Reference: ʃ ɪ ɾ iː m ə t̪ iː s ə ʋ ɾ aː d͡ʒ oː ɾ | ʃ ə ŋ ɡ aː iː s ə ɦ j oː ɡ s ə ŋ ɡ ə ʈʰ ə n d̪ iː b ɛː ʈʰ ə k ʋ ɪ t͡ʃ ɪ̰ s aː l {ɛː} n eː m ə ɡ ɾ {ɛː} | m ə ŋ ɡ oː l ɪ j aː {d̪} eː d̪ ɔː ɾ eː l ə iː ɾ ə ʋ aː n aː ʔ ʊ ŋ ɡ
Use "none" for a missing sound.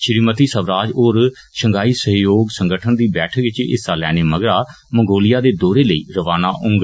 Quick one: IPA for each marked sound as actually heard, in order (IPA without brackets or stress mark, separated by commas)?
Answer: ɛː, aː, d̪